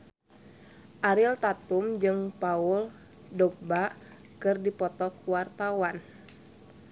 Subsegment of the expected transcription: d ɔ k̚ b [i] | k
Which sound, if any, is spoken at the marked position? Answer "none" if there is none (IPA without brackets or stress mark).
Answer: a